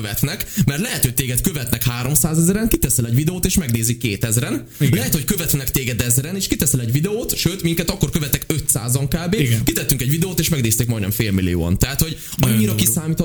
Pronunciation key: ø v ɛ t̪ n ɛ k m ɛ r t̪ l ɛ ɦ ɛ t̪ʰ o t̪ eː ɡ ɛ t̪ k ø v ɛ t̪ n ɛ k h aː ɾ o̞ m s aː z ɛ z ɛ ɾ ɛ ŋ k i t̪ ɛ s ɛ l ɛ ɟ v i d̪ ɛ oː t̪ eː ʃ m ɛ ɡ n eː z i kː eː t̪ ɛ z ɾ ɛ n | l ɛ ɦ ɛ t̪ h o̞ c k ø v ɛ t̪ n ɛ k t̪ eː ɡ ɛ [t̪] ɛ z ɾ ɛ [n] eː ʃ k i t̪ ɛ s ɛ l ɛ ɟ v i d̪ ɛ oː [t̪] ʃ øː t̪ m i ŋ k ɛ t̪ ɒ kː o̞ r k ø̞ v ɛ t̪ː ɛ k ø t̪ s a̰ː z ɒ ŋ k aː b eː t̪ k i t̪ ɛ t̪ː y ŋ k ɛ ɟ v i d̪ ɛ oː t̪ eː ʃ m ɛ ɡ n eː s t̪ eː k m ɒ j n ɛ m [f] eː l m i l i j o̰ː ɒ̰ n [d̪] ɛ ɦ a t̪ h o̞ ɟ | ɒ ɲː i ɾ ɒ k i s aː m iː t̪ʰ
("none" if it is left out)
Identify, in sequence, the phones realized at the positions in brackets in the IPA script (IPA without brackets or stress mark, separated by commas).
d̪, n, t̪, f, t̪